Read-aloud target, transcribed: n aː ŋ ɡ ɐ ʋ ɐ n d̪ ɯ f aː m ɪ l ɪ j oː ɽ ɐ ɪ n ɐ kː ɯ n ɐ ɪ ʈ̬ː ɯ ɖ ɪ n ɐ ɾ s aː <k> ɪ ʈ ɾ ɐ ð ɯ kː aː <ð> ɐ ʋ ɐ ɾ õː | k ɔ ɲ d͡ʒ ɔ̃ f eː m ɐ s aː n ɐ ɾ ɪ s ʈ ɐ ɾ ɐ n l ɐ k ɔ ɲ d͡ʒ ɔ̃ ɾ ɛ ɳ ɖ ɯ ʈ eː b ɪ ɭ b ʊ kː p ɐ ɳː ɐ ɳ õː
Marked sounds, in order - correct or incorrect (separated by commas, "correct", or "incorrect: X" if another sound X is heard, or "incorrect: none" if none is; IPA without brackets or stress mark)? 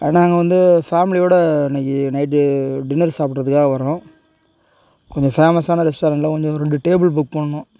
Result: incorrect: p, incorrect: ɣ